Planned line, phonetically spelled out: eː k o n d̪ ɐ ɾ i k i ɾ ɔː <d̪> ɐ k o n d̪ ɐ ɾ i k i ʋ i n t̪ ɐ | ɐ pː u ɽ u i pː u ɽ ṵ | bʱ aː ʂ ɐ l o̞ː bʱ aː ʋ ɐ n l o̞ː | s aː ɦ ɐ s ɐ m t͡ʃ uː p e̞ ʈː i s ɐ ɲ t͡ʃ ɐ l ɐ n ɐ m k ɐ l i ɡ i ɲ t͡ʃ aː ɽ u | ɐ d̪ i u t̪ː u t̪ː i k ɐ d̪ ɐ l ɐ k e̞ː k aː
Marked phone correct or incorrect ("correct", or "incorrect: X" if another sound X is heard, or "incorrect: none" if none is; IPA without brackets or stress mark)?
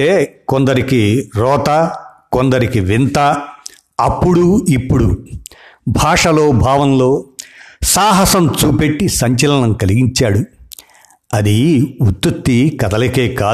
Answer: incorrect: t̪